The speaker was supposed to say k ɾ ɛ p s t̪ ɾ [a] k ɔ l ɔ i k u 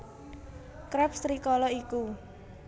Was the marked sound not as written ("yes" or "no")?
yes